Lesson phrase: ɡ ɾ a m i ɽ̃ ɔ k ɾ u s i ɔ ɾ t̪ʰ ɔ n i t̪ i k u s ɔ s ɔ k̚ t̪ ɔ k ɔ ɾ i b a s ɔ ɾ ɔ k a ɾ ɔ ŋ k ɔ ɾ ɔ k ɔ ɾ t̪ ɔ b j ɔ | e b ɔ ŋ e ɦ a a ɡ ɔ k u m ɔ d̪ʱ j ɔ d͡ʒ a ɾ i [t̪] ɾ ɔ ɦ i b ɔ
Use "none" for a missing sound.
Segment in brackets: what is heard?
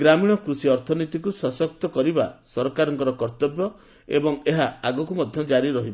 none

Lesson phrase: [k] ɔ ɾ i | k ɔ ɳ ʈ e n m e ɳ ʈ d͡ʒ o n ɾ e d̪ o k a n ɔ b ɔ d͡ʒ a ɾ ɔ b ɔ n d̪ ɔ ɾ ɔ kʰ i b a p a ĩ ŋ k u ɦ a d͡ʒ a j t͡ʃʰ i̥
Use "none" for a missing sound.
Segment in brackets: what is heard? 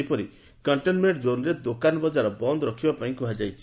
p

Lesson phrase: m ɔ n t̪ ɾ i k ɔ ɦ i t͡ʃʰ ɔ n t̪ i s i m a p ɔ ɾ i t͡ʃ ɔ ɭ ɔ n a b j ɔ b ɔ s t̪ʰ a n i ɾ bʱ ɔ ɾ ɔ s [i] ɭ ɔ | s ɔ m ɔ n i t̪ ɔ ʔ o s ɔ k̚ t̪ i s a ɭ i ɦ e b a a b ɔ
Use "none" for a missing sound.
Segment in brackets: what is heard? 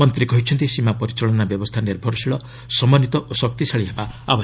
i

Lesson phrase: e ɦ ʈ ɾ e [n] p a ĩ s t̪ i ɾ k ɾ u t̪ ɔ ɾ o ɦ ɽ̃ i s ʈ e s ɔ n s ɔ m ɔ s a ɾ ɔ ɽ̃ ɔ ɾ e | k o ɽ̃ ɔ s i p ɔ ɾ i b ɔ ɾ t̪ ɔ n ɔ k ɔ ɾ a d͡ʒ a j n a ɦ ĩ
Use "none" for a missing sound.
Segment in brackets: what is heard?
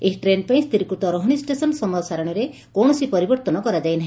n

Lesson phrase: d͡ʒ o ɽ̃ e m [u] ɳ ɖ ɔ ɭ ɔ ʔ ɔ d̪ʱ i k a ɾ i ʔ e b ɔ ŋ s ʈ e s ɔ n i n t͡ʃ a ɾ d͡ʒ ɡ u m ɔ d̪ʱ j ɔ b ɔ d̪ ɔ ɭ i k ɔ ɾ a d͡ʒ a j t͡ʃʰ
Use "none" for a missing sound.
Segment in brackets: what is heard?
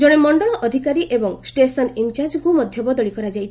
ɔ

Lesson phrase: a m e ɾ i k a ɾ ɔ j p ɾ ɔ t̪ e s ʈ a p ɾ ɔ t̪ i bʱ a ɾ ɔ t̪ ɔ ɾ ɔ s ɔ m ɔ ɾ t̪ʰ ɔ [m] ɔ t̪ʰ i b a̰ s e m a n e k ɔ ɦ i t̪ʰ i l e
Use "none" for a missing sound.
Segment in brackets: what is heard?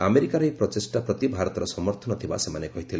n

